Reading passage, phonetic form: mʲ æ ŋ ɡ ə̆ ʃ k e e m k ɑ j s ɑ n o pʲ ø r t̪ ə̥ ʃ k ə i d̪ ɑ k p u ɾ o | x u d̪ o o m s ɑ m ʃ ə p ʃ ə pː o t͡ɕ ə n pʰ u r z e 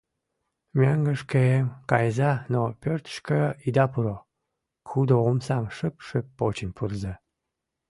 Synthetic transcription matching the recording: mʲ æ ŋ ɡ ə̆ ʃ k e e m k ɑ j z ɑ n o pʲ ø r t̪ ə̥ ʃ k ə i d̪ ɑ p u ɾ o | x u d̪ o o m s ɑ m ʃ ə p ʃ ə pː o t͡ɕ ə n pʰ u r z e